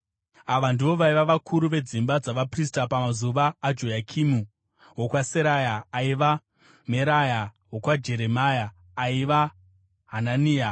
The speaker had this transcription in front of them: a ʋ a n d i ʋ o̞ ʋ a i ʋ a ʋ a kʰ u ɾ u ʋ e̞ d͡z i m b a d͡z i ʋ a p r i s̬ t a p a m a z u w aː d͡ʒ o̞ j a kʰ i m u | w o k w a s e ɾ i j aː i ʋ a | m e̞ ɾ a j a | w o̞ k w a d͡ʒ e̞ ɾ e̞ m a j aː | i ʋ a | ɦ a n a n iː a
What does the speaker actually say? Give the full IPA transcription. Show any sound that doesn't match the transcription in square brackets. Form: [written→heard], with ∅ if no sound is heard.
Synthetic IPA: a ʋ a n d i ʋ o̞ ʋ a i ʋ a ʋ a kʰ u ɾ u ʋ e̞ d͡z i m b a d͡z [i→a] ʋ a p r i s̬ t a p a m a z u [w→ʋ] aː d͡ʒ o̞ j a kʰ i m u | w o k w a s e ɾ [i→a] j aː i ʋ a | m e̞ ɾ a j a | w o̞ k w a d͡ʒ e̞ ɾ e̞ m a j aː | i ʋ a | ɦ a n a n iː a